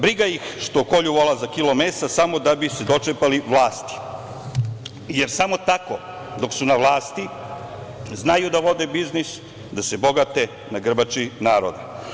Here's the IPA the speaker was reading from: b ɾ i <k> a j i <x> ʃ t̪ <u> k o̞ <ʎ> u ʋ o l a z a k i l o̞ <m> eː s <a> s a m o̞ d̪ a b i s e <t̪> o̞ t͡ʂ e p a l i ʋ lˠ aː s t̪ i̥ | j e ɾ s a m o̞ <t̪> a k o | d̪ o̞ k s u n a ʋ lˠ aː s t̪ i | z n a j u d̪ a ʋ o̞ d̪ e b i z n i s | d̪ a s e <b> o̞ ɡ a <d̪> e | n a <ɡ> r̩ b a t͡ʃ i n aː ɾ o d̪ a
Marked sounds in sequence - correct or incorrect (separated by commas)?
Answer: incorrect, correct, incorrect, correct, correct, correct, incorrect, correct, correct, incorrect, correct